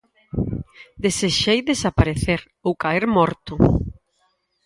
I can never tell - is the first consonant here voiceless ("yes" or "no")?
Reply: no